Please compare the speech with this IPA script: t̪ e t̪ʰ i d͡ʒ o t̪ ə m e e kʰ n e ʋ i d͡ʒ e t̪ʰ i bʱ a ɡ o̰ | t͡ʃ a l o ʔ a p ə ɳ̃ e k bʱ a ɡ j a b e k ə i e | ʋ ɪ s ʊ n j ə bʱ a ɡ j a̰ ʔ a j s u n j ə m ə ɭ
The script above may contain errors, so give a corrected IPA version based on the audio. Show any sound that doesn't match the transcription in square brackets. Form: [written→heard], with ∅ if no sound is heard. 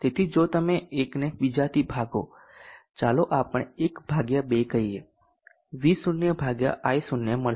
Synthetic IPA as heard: t̪ e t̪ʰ i d͡ʒ o t̪ ə m e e [kʰ→k] n e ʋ i d͡ʒ [e→a] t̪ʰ i bʱ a ɡ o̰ | t͡ʃ a l o ʔ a p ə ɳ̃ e k bʱ a ɡ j a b e k ə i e | ʋ [ɪ→i] s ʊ n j ə bʱ a ɡ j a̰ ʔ a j s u n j ə m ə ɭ